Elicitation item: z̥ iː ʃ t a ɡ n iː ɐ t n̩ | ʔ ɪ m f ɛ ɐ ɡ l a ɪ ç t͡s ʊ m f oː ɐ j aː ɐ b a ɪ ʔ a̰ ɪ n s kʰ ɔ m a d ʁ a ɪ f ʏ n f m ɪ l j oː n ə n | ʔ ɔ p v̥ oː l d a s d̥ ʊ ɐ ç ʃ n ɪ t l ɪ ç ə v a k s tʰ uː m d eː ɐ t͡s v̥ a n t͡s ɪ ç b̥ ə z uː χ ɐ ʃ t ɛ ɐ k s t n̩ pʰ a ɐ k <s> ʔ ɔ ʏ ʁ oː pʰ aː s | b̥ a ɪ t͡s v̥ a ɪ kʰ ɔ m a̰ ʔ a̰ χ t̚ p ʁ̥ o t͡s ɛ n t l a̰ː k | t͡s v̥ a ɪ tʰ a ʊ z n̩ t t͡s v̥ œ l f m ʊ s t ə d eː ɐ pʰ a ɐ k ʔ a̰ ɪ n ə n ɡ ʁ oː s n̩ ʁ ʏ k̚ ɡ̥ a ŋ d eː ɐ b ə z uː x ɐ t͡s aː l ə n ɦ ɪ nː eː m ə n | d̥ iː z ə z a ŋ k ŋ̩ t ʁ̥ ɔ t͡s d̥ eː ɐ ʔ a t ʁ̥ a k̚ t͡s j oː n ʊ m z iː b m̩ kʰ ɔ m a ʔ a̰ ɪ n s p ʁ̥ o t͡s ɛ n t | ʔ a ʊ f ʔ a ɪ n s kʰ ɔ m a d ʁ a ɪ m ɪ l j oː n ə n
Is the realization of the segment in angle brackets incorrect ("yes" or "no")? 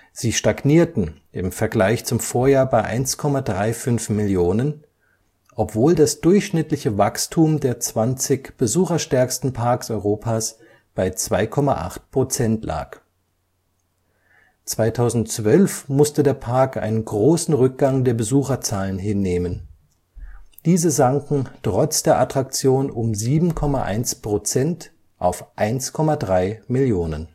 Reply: no